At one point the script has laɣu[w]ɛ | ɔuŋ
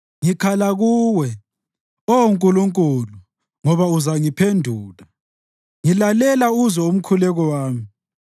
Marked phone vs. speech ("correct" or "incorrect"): correct